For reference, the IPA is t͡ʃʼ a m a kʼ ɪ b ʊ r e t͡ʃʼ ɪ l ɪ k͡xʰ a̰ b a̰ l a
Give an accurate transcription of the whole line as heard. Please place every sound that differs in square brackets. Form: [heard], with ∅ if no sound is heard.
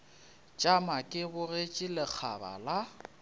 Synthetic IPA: t͡ʃʼ a m a kʼ ɪ b ʊ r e t͡ʃʼ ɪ l ɪ k͡xʰ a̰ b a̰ l a